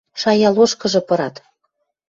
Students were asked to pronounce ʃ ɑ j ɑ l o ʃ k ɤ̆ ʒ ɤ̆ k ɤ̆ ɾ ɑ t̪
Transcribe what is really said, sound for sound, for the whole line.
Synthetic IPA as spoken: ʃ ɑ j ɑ l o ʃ k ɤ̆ ʒ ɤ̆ p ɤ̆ ɾ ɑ t̪